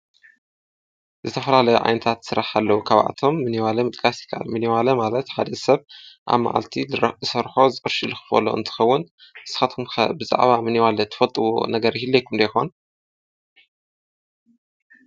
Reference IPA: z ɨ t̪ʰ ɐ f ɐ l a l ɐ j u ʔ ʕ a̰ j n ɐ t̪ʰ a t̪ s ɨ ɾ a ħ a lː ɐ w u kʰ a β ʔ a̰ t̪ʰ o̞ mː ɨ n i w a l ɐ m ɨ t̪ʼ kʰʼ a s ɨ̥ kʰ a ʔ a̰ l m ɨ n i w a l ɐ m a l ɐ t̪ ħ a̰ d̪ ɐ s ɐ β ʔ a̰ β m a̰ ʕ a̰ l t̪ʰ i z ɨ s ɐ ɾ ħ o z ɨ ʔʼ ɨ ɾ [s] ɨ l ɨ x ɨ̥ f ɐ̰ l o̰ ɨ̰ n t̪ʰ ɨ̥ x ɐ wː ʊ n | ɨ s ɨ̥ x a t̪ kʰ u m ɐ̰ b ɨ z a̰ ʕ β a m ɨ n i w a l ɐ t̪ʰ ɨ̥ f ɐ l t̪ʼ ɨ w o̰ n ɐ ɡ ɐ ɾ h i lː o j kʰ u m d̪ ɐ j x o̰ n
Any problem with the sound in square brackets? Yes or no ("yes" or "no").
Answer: yes